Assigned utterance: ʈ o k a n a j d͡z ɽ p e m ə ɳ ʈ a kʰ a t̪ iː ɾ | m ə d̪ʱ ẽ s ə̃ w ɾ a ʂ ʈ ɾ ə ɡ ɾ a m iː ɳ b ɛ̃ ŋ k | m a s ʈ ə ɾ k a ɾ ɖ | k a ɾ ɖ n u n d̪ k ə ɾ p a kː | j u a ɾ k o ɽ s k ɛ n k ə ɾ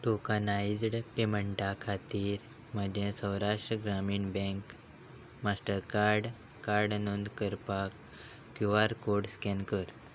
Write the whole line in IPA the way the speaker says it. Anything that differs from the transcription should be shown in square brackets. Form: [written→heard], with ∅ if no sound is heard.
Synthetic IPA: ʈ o k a n a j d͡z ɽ p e m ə ɳ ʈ a kʰ a t̪ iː ɾ | m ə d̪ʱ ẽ s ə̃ w ɾ a ʂ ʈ ɾ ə ɡ ɾ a m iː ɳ b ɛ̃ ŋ k | m a s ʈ ə ɾ k a ɾ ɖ | k a ɾ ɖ n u n d̪ k ə ɾ p a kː | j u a ɾ k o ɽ s k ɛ n k ə ɾ